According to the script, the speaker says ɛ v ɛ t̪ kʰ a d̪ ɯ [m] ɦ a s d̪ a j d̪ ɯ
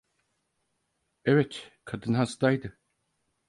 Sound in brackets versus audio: incorrect: n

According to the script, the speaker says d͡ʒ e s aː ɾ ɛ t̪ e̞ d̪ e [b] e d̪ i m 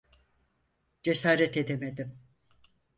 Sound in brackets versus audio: incorrect: m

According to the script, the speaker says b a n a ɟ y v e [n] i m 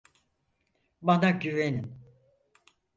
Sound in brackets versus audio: correct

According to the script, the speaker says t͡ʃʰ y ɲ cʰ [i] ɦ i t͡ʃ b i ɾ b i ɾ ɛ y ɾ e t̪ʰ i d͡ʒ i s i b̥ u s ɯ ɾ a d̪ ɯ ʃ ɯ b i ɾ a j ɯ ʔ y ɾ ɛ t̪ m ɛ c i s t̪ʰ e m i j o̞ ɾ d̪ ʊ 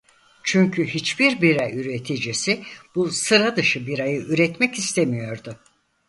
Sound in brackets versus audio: incorrect: y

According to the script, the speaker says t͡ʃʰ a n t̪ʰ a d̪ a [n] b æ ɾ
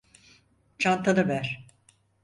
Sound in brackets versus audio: incorrect: none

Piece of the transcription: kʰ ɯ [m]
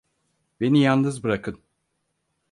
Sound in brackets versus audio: incorrect: n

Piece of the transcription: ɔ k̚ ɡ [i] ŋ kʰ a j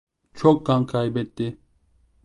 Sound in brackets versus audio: incorrect: a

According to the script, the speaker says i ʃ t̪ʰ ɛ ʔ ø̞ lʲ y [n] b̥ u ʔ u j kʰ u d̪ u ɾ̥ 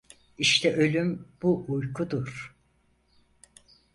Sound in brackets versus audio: incorrect: m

